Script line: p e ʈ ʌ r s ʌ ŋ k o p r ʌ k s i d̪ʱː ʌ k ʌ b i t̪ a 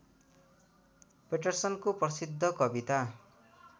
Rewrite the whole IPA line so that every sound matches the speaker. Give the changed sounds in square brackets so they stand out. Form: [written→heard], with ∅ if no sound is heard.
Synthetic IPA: p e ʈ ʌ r s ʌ [ŋ→n] k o p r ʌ [k→∅] s i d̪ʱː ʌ k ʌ b i t̪ a